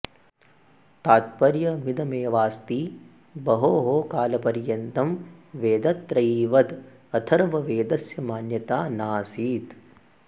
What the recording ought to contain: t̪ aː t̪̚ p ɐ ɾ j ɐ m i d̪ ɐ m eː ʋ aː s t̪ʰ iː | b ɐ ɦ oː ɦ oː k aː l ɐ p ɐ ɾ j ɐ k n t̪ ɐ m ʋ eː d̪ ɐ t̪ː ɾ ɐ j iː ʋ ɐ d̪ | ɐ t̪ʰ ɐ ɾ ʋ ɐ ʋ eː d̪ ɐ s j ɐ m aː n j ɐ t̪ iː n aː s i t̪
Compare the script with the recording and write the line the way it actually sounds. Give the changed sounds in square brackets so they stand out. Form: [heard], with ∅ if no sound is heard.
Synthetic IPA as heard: t̪ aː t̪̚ p ɐ ɾ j ɐ m i d̪ ɐ m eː ʋ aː s [t̪] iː | b ɐ ɦ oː ɦ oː k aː l ɐ p ɐ ɾ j ɐ [∅] n t̪ ɐ m ʋ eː d̪ ɐ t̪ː ɾ ɐ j iː ʋ ɐ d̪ | ɐ t̪ʰ ɐ ɾ ʋ ɐ ʋ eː d̪ ɐ s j ɐ m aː n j ɐ t̪ [aː] n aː s [iː] t̪